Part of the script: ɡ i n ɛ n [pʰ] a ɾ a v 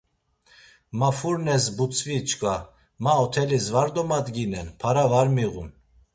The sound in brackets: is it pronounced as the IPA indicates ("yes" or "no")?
yes